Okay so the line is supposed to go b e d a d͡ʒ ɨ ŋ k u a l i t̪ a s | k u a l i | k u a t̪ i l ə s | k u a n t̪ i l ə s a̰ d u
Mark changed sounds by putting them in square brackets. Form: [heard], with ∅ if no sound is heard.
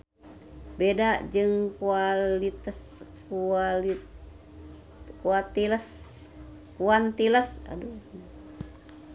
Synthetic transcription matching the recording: b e d a d͡ʒ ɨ ŋ k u a l i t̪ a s | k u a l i | k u a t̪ i l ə s | k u a n t̪ i l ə s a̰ d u